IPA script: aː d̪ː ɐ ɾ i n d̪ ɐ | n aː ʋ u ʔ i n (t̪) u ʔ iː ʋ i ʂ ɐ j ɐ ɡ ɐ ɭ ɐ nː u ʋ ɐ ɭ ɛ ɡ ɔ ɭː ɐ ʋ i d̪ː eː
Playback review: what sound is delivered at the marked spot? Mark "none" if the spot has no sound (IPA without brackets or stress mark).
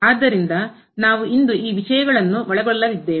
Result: d̪